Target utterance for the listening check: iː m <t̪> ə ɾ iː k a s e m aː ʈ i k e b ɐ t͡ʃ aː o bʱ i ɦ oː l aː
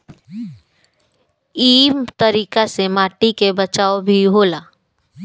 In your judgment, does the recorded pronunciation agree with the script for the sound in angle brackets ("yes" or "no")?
yes